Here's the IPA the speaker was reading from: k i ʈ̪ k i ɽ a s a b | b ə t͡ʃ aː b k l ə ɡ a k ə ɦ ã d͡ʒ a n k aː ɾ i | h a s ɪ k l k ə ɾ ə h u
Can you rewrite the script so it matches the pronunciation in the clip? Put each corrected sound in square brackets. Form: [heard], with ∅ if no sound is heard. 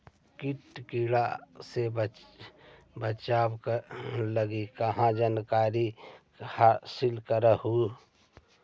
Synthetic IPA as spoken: k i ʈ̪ k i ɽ a s [e] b | b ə t͡ʃ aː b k l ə ɡ [i] k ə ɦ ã d͡ʒ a n k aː ɾ i | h a s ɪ [∅] l k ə ɾ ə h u

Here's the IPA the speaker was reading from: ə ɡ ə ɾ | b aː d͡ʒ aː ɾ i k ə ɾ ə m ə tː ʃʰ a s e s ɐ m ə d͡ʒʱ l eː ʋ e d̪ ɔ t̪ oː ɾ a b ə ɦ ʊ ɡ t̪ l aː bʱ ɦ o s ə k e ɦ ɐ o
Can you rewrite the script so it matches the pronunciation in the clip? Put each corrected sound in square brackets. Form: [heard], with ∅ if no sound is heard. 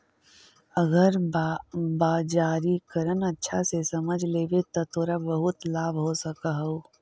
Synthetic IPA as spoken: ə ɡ ə ɾ | b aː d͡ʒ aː ɾ i k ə ɾ ə [n] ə tː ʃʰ a s e s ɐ m ə d͡ʒʱ l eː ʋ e [t̪] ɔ t̪ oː ɾ a b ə ɦ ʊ [∅] t̪ l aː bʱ ɦ o s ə k [a] ɦ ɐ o

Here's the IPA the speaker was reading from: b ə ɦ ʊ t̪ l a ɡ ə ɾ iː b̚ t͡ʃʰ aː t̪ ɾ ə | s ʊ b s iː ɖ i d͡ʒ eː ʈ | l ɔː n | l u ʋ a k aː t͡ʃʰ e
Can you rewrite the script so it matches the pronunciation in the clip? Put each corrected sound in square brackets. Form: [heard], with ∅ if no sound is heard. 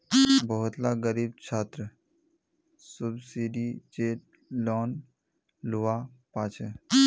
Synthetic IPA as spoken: b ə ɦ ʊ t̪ l a ɡ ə ɾ iː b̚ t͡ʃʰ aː t̪ ɾ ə | s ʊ b s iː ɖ i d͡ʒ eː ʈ | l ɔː n | l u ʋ a [p] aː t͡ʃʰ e

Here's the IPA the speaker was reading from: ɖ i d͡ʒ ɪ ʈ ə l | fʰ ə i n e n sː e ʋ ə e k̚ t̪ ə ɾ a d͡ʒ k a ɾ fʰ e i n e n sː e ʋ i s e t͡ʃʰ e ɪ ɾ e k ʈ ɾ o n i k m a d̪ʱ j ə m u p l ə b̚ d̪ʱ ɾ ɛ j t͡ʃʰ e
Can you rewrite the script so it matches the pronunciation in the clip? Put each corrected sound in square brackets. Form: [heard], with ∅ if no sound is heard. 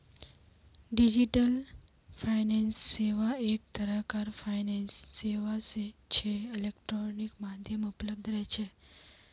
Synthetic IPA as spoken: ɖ i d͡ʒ [i] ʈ ə l | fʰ [a] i n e n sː e ʋ [a] e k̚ t̪ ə ɾ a [∅] k a ɾ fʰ [a] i n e n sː e ʋ [a] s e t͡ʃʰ e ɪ [l] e k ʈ ɾ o n i k m a d̪ʱ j ə m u p l ə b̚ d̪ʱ ɾ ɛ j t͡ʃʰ e

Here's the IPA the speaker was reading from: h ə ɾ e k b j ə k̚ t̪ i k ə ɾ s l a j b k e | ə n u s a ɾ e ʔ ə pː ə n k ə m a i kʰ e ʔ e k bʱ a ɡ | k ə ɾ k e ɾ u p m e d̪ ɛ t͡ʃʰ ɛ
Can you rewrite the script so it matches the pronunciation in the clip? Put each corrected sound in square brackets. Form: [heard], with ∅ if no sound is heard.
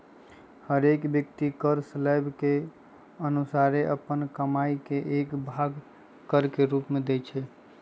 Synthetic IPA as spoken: h ə ɾ e k b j ə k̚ t̪ i k ə ɾ s l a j b k e | ə n u s a ɾ e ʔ ə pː ə n k ə m a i [k] e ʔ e k bʱ a ɡ | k ə ɾ k e ɾ u p m e d̪ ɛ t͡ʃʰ ɛ

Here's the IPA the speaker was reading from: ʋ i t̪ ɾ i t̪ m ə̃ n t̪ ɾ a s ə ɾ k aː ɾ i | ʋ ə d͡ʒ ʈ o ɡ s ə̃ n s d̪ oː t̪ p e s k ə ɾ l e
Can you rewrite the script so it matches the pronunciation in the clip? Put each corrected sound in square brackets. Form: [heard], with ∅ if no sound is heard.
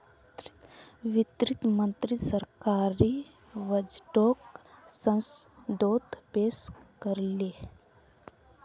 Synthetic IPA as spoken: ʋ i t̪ ɾ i t̪ m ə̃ n t̪ ɾ [i] s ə ɾ k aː ɾ i | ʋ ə d͡ʒ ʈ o [k] s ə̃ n s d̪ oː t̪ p e s k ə ɾ l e

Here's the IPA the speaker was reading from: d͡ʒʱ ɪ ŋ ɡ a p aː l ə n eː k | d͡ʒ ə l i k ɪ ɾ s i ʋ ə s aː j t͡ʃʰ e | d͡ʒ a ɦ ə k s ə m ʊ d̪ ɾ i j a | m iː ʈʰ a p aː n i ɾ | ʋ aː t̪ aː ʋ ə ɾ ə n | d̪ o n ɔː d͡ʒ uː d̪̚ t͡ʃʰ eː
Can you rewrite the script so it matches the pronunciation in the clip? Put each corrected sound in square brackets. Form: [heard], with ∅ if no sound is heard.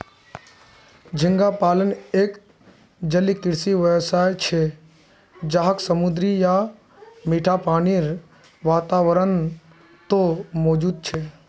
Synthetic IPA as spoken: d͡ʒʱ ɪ ŋ ɡ a p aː l ə n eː k | d͡ʒ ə l i k ɪ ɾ s i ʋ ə s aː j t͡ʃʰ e | d͡ʒ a ɦ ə k s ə m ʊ d̪ ɾ i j a | m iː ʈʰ a p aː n i ɾ | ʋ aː t̪ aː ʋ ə ɾ ə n | [t̪] o [m] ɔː d͡ʒ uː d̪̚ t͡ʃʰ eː

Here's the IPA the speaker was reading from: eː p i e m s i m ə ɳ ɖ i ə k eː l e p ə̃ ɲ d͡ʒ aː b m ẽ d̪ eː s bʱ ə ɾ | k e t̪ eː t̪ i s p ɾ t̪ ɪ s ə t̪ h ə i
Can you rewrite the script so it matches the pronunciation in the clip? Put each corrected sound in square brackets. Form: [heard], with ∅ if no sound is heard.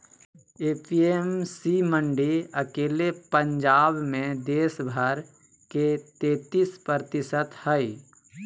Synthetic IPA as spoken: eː p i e m s i m ə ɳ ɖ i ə k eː l e p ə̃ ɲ d͡ʒ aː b m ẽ d̪ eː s bʱ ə ɾ | k e t̪ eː t̪ i s p ɾ t̪ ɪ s ə t̪ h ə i

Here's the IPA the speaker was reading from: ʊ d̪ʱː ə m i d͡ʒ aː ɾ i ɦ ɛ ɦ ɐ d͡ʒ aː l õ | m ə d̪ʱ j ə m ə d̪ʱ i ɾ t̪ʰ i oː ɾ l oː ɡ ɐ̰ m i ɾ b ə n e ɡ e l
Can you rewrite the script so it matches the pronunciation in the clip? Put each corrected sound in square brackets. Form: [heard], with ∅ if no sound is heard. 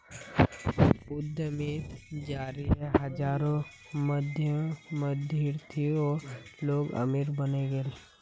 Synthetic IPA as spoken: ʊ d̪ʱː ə m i d͡ʒ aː ɾ i ɦ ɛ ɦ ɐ d͡ʒ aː [ɾ] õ | m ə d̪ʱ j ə m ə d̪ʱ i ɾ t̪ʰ i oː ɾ l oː ɡ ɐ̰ m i ɾ b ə n e ɡ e l

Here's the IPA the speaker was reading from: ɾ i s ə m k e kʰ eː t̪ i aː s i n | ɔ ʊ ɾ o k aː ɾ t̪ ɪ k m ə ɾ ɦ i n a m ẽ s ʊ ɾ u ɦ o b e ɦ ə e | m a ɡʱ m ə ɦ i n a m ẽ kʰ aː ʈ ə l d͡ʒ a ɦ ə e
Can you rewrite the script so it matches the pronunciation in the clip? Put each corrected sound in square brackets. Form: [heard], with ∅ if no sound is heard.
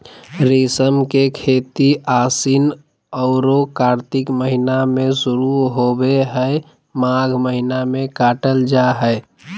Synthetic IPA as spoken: ɾ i s ə m k e kʰ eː t̪ i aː s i n | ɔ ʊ ɾ o k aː ɾ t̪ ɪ k m ə [∅] ɦ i n a m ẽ s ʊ ɾ u ɦ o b e ɦ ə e | m a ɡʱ m ə ɦ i n a m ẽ [k] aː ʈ ə l d͡ʒ a ɦ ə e

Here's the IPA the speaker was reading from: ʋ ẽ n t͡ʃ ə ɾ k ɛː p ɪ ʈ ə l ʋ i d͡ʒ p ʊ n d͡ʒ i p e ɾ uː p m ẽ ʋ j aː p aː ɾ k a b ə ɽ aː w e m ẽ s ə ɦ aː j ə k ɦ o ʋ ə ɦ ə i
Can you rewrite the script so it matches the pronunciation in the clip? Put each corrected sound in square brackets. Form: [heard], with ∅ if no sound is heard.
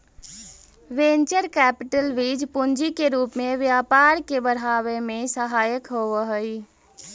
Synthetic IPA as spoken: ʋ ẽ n t͡ʃ ə ɾ k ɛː p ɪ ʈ ə l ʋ i d͡ʒ p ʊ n d͡ʒ i [k] e ɾ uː p m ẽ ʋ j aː p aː ɾ k [e] b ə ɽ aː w e m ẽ s ə ɦ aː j ə k ɦ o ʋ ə ɦ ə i

